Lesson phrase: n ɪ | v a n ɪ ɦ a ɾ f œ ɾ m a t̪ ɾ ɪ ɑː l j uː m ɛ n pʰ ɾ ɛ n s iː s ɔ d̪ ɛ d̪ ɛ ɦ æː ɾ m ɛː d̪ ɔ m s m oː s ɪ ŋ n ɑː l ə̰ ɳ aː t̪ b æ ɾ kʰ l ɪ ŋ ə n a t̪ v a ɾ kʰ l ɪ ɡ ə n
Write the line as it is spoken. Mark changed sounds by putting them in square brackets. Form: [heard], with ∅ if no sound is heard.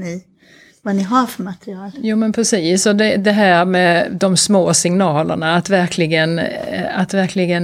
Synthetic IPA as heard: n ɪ | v a n ɪ ɦ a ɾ f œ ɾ m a t̪ ɾ ɪ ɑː l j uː m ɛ n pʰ ɾ ɛ [∅] s iː s ɔ d̪ ɛ d̪ ɛ ɦ æː ɾ m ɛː d̪ ɔ m s m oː s ɪ ŋ n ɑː l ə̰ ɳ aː t̪ [v] æ ɾ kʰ l ɪ [ɡ] ə n a t̪ v [æ] ɾ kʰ l ɪ ɡ ə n